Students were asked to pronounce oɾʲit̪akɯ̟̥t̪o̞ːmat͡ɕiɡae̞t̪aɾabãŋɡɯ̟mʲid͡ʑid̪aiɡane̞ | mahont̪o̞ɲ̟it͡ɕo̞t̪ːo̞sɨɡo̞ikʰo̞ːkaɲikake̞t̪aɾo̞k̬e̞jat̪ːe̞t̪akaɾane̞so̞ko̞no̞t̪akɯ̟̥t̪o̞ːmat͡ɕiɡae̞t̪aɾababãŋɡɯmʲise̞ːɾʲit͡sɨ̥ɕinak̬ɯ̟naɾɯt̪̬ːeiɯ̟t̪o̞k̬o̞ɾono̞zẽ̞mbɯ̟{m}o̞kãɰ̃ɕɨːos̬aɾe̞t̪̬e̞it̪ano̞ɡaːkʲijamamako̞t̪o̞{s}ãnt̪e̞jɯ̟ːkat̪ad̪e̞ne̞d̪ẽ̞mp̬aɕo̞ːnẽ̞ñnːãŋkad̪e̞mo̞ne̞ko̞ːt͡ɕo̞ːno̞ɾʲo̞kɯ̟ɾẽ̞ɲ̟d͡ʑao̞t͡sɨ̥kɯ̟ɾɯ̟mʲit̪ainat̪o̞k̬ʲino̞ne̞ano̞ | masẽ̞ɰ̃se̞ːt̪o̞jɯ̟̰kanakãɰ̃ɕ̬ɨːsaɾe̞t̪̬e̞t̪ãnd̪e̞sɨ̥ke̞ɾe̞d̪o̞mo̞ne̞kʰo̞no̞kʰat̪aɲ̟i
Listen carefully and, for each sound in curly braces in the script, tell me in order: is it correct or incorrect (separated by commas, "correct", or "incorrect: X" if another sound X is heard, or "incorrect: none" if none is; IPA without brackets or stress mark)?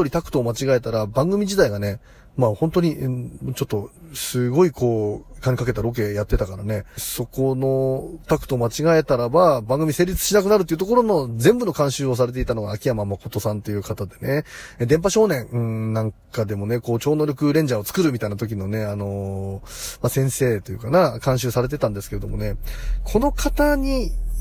incorrect: n, correct